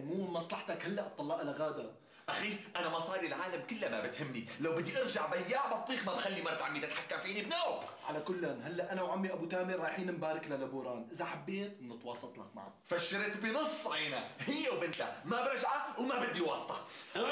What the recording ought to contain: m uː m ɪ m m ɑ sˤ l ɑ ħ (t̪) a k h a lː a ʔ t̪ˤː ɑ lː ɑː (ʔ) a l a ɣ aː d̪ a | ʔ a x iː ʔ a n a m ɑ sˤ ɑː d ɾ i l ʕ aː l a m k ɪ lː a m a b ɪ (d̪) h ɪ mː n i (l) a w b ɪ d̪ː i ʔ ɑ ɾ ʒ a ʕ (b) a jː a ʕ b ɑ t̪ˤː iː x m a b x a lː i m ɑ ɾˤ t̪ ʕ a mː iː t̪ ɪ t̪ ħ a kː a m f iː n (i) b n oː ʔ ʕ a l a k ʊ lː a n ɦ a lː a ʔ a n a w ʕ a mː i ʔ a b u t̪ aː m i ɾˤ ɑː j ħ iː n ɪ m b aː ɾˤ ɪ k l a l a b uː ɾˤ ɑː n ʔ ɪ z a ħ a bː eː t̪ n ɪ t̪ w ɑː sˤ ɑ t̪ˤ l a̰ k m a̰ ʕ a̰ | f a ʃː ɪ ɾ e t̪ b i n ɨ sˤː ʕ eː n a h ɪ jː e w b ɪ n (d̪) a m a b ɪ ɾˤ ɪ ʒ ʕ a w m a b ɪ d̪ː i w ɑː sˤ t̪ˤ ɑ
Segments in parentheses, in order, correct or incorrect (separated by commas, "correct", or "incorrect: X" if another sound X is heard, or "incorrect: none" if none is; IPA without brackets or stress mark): correct, correct, incorrect: t̪, correct, correct, correct, incorrect: t̪